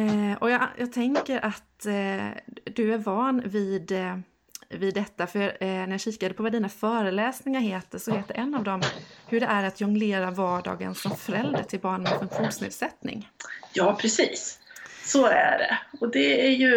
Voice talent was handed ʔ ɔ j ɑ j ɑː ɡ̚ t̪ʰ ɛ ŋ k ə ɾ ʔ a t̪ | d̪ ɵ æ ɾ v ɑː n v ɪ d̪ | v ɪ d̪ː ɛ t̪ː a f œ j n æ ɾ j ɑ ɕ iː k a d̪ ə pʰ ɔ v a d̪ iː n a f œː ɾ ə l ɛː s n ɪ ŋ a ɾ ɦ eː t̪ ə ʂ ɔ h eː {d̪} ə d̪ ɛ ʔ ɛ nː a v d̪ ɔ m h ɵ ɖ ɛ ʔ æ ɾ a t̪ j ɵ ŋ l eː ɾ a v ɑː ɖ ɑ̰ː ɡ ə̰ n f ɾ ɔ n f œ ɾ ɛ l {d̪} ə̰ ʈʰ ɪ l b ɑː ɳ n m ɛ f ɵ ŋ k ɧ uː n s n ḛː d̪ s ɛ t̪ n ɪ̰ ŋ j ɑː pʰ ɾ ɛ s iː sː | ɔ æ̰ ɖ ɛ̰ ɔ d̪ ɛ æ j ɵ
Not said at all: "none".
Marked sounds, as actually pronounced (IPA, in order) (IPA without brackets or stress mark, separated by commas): t̪, d̪